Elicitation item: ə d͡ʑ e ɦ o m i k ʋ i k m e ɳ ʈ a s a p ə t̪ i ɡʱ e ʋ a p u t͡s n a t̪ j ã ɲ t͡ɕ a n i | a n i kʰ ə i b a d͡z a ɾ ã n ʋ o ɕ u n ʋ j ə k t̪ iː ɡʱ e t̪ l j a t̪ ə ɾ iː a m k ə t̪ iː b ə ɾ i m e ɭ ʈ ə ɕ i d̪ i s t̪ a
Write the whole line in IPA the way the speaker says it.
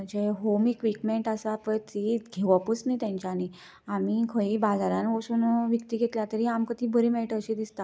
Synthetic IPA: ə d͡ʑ e ɦ o m i k ʋ i k m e ɳ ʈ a s a p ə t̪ i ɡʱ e ʋ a p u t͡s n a t̪ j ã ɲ t͡ɕ a n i | a m i kʰ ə i b a d͡z a ɾ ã n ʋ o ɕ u n ʋ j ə k t̪ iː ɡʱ e t̪ l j a t̪ ə ɾ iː a m k ə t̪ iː b ə ɾ i m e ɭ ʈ ə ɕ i d̪ i s t̪ a